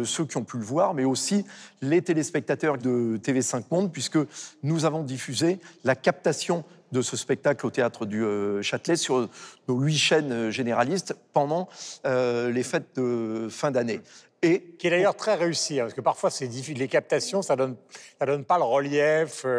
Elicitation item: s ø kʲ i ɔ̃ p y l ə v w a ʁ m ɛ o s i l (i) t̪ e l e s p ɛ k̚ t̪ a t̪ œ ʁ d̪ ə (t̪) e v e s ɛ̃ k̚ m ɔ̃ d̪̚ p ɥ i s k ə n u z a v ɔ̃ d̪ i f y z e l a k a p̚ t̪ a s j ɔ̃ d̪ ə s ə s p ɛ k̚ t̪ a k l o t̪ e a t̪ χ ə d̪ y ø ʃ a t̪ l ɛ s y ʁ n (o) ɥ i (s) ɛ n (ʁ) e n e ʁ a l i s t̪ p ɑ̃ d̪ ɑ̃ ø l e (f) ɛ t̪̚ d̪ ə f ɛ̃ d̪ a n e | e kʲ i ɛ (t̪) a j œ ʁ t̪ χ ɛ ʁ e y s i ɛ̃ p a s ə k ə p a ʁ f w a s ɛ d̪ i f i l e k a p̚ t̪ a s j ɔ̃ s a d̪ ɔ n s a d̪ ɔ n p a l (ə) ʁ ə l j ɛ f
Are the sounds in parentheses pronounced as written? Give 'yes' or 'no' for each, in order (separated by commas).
no, yes, yes, no, no, yes, no, yes